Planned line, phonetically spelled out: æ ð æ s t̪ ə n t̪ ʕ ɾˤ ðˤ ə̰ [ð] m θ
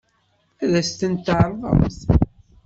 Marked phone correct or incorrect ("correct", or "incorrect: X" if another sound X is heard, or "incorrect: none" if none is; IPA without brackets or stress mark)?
incorrect: none